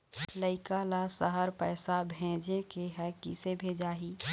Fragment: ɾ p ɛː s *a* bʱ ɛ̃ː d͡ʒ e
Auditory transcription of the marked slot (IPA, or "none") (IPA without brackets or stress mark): a